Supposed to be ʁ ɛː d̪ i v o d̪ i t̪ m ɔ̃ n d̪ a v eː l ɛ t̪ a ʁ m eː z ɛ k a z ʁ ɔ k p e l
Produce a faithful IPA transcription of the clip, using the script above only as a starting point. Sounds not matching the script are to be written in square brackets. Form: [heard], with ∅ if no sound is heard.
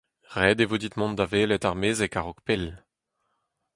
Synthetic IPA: ʁ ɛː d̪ [e] v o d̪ i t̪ m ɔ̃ n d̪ a v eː l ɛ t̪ a ʁ m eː z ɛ k a [∅] ʁ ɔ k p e l